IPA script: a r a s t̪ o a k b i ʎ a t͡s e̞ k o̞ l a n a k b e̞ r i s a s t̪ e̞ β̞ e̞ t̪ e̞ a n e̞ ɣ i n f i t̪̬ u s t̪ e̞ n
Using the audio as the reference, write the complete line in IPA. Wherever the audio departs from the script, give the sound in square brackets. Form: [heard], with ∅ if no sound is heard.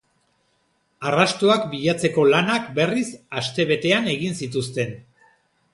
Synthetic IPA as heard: a r a s t̪ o a k b i ʎ a t͡s e̞ k o̞ l a n a k b e̞ r i s a s t̪ e̞ β̞ e̞ t̪ e̞ a n e̞ ɣ i n [s] i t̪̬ u s t̪ e̞ n